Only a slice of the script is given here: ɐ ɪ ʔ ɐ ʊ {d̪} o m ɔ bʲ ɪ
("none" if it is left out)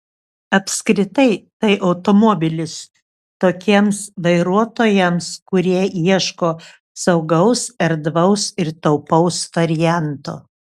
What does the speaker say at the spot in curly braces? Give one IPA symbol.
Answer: t̪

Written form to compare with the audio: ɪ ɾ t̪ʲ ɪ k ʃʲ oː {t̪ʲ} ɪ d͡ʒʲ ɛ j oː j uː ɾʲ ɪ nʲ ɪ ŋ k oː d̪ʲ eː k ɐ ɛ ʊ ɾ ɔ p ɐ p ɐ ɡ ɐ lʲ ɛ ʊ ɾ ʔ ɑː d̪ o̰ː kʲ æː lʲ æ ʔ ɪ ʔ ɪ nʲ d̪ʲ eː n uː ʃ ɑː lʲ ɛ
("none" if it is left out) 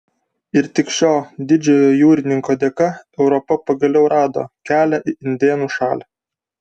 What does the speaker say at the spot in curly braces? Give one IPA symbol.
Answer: d̪ʲ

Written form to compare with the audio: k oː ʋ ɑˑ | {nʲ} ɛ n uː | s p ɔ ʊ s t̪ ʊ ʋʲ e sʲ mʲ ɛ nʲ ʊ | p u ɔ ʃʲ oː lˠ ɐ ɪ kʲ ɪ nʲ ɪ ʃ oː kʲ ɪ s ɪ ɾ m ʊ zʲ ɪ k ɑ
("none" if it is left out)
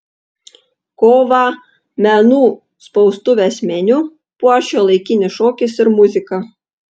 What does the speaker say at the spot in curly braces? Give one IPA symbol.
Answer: mʲ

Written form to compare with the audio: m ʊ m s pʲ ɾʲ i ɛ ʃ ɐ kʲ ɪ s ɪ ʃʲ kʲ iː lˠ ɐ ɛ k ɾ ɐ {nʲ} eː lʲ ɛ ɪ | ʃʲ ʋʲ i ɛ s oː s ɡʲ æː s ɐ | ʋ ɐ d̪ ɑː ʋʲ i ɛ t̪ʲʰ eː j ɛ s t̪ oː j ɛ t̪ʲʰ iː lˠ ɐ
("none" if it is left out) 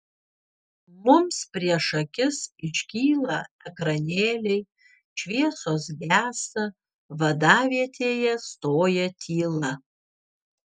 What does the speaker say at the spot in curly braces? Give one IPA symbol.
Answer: nʲ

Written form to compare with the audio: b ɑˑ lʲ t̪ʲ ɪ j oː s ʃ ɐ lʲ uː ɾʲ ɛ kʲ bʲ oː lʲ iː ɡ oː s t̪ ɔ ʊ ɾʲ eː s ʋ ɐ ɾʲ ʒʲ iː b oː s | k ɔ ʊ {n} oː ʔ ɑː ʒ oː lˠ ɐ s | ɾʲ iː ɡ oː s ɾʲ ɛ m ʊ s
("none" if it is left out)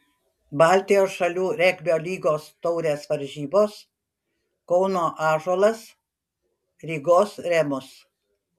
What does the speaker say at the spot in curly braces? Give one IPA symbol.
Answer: n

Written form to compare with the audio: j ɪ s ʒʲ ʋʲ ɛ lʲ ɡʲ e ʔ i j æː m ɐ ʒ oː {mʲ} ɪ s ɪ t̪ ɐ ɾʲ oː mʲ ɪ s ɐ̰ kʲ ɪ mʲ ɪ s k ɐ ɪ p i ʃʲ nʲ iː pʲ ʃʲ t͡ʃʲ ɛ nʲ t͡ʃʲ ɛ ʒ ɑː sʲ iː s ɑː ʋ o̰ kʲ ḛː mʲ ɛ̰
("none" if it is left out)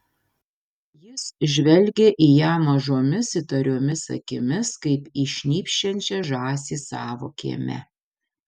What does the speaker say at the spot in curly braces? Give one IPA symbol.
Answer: mʲ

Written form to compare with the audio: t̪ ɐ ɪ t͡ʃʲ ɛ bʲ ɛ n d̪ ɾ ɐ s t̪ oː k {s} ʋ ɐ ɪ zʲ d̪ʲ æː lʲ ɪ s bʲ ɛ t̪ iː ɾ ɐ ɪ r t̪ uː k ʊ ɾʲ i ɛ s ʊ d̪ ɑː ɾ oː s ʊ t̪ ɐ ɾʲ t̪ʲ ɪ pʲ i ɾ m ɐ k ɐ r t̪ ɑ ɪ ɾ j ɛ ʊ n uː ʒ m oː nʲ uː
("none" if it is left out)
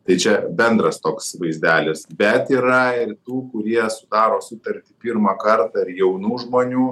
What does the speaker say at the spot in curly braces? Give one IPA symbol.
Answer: s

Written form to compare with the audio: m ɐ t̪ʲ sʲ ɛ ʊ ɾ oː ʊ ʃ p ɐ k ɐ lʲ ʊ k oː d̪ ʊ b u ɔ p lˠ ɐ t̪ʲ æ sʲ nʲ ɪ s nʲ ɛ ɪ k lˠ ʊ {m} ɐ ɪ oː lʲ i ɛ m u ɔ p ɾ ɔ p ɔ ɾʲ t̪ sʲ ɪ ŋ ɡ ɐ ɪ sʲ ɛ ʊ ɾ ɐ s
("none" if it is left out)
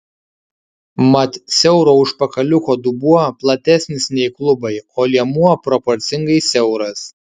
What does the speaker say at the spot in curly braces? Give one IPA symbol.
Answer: b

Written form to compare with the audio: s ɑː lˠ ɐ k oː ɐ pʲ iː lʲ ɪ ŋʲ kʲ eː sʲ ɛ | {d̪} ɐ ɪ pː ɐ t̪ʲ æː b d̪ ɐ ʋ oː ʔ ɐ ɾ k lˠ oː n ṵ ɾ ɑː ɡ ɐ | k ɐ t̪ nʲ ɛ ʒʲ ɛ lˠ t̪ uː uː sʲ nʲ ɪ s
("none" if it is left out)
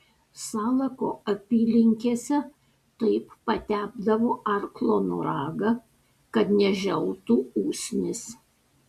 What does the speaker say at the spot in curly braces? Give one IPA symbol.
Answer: t̪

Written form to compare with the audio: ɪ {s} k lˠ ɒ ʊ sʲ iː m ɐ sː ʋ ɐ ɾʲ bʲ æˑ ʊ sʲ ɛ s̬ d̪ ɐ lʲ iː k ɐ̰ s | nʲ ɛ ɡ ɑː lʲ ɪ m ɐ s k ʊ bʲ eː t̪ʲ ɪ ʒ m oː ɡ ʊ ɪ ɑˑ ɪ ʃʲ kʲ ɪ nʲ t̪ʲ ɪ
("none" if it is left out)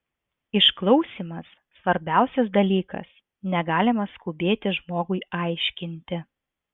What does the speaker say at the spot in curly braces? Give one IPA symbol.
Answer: ʃ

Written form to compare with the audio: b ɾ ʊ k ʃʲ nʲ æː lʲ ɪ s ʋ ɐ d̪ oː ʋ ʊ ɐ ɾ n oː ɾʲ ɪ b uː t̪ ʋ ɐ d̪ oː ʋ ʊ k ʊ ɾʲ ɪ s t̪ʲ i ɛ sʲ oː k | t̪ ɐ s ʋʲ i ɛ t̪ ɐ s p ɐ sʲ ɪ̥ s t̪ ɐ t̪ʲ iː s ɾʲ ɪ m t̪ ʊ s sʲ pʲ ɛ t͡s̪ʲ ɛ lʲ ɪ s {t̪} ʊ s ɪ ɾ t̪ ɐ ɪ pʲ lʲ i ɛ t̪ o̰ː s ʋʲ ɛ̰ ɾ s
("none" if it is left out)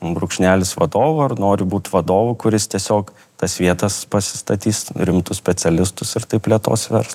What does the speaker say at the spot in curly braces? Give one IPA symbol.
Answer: t̪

